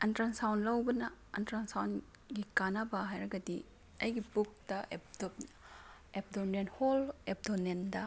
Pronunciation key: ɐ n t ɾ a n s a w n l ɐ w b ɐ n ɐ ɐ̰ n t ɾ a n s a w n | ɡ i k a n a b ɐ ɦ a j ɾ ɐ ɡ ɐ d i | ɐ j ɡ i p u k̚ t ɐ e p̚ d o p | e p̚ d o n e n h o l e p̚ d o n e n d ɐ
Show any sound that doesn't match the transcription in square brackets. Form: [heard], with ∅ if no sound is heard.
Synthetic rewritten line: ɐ n t ɾ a n s a w n l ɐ w b ɐ n ɐ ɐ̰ n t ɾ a n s a w n | ɡ i k a n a b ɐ ɦ a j ɾ ɐ ɡ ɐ d i | ɐ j ɡ i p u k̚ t ɐ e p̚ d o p | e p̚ d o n e n h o l e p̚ d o n e n d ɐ